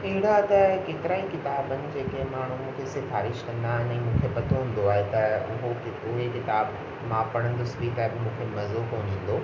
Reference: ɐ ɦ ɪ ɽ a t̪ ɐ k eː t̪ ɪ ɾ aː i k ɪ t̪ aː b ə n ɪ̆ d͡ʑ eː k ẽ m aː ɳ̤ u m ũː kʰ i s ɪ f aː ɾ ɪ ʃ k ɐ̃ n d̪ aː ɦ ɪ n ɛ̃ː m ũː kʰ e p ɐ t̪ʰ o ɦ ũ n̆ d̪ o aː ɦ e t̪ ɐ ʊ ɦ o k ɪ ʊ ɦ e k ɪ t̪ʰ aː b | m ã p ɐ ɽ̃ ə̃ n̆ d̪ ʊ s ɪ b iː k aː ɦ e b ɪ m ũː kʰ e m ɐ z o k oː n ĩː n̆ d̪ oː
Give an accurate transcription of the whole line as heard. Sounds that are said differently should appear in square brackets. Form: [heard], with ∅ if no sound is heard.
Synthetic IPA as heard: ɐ ɦ ɪ ɽ a t̪ ɐ k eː t̪ ɪ ɾ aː i k ɪ t̪ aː b ə n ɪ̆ d͡ʑ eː k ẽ m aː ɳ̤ u m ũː kʰ [e] s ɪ f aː ɾ ɪ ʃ k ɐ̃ n d̪ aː ɦ ɪ n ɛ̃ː m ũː kʰ e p ɐ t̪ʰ o ɦ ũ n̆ d̪ o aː ɦ e t̪ ɐ ʊ ɦ o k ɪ ʊ ɦ e k ɪ [t̪] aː b | m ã p ɐ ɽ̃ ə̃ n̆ d̪ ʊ s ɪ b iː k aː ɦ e b ɪ m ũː kʰ e m ɐ z o k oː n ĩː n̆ d̪ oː